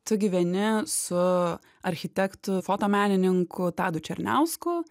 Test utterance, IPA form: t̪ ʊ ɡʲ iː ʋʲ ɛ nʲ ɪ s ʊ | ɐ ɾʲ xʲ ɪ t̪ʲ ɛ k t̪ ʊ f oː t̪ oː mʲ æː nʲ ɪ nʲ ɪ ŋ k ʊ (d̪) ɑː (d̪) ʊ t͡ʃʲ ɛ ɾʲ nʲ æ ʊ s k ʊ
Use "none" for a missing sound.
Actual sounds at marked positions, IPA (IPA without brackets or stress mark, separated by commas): t̪, d̪